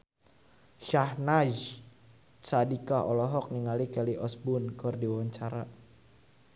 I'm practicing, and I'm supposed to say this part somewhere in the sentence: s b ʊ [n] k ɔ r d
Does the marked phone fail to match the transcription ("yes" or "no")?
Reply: no